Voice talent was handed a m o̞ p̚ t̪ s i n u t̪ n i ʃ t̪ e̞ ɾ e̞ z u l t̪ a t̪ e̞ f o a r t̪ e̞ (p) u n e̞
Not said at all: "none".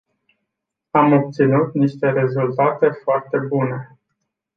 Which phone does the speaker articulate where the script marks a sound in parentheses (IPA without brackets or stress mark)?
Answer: b